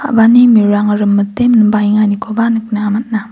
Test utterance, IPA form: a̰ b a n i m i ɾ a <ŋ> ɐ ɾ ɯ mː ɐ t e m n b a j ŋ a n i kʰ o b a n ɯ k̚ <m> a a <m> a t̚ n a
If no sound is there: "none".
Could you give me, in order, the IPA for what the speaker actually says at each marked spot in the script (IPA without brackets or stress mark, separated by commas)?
ŋ, n, m